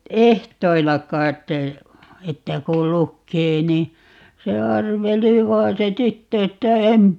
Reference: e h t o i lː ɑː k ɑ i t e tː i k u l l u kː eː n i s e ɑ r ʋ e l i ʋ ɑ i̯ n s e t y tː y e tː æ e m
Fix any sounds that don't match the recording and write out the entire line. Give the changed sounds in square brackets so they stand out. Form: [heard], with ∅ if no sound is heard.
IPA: e h t o i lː [ɑ] k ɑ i t e tː [æ] k u l l u kː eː n i s e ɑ r ʋ e l i ʋ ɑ i̯ n s e t y tː [ø] e tː æ e m